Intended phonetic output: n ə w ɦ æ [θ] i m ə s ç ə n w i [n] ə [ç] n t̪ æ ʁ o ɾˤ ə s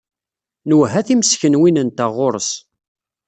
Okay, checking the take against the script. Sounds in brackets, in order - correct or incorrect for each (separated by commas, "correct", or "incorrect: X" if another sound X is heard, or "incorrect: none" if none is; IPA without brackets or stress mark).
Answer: correct, correct, incorrect: none